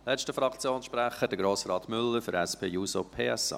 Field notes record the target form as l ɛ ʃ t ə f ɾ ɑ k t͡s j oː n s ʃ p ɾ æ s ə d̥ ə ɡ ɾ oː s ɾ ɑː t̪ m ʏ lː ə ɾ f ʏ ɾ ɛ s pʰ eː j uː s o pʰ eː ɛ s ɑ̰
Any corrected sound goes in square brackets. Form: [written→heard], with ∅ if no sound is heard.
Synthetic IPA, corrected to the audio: l ɛ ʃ t ə f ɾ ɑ k t͡s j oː n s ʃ p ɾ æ [s→χ] ə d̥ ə ɡ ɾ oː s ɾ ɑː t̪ m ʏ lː ə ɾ f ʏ ɾ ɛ s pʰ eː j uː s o pʰ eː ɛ s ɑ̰